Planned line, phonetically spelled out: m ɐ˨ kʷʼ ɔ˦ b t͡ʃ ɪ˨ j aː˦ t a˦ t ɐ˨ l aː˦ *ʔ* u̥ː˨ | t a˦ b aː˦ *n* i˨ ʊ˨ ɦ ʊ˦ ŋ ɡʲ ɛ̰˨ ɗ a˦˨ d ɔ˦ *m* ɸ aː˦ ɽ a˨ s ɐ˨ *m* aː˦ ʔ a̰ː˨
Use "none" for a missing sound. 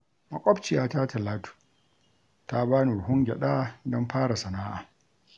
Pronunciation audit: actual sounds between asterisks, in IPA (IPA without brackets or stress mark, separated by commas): t, n, m, n